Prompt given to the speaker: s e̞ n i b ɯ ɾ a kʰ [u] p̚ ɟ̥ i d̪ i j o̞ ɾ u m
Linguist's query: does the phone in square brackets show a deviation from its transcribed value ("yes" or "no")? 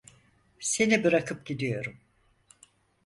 yes